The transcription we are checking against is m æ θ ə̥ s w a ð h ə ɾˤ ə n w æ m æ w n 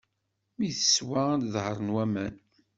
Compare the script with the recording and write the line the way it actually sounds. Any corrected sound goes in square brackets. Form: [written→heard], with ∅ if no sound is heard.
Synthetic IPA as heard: m [æ→i] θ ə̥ s w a ð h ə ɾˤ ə n w æ m æ [w→∅] n

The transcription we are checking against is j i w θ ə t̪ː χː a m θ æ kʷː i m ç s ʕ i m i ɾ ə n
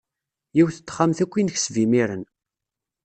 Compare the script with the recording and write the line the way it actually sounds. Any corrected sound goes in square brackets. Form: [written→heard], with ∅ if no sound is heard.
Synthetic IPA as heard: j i w θ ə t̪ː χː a m θ æ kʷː i [m→n] ç s [ʕ→v] i m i ɾ ə n

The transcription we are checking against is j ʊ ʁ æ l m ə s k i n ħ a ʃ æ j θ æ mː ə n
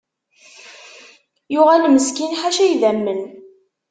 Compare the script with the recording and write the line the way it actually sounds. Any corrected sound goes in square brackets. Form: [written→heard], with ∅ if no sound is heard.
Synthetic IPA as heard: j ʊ ʁ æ l m ə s k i n ħ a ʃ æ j [θ→ð] æ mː ə n

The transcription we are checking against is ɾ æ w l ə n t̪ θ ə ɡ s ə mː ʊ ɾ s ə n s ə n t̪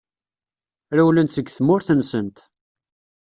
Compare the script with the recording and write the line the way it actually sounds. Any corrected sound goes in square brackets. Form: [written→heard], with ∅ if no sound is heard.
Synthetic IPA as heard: ɾ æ w l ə n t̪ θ ə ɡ [s→θ] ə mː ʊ ɾ [s→θ] ə n s ə n t̪

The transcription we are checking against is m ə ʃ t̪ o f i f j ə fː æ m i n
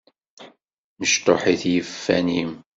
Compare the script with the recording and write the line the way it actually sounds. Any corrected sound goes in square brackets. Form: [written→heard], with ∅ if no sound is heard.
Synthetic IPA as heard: m ə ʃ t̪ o [f→ħ] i [f→θ] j ə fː æ [m→n] i [n→m]

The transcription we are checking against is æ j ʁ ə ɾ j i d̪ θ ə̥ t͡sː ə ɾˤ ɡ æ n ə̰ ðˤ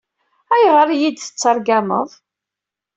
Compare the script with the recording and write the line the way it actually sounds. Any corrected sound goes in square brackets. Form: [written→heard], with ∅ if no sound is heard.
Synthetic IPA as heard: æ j ʁ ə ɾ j i d̪ θ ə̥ t͡sː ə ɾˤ ɡ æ [n→m] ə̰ ðˤ

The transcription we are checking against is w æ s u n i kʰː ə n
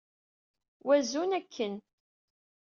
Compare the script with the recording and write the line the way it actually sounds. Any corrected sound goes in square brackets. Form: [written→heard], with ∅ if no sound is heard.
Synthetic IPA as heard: w æ [s→z] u n [i→æ] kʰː ə n

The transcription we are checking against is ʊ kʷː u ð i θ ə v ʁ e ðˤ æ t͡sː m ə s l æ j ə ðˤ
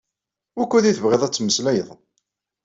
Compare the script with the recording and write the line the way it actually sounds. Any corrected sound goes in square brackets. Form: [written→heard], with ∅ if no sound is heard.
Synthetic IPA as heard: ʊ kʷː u ð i θ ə v ʁ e ðˤ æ t͡sː m ə s l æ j ə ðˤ

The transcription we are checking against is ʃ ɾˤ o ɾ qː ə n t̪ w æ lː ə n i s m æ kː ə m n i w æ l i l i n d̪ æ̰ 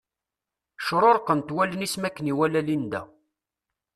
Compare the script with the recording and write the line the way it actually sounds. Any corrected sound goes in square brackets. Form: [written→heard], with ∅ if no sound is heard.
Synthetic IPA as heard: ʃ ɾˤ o ɾ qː ə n t̪ w æ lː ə n i s m æ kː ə [m→∅] n i w æ l [i→æ] l i n d̪ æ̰

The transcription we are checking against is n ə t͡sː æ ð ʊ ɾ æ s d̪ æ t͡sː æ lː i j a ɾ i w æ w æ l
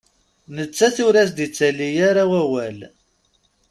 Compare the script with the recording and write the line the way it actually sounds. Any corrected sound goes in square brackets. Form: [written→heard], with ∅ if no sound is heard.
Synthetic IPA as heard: n ə t͡sː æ [ð→θ] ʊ ɾ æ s d̪ [æ→i] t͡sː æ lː i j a ɾ [i→a] w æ w æ l

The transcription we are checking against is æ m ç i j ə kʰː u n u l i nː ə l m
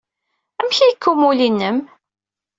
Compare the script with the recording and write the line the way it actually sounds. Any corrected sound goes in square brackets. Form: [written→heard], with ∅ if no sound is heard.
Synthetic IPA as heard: æ m ç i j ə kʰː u [n→m] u l i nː ə [l→∅] m

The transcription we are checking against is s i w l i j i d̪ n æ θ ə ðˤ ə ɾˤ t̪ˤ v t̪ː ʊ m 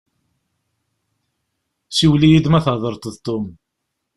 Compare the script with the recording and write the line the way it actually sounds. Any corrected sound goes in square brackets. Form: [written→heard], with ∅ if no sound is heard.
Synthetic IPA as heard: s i w l i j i d̪ [n→m] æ θ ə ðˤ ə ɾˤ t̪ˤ [v→ð] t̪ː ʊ m

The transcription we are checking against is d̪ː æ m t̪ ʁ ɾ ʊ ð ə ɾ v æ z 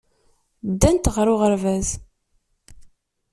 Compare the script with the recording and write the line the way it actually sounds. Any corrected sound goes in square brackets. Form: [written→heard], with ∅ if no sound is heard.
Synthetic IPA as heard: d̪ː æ [m→n] t̪ ʁ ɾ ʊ [ð→ʁ] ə ɾ v æ z

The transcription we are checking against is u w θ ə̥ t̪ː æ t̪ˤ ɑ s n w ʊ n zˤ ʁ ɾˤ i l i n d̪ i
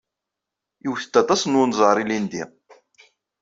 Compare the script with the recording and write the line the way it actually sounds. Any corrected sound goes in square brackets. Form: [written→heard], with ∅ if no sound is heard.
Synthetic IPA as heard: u w θ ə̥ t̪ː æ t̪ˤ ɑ s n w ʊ n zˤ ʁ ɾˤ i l i n d̪ i

